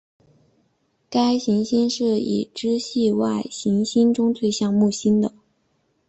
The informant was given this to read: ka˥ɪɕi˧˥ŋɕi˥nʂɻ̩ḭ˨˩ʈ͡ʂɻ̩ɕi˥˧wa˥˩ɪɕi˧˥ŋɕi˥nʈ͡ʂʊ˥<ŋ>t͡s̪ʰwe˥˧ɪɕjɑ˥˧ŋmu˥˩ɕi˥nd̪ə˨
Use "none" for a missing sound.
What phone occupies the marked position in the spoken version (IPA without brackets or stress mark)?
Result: ŋ